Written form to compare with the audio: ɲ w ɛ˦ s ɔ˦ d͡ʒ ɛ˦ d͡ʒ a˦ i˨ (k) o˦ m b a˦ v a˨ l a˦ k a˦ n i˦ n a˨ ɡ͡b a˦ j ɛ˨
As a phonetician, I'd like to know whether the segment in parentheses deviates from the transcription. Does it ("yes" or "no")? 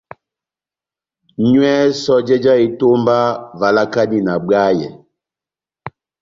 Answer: yes